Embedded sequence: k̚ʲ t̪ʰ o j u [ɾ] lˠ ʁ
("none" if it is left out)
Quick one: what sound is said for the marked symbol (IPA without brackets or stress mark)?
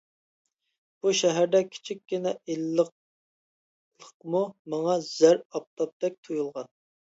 none